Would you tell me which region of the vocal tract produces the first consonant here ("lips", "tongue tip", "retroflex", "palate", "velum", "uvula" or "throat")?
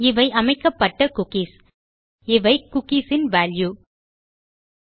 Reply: lips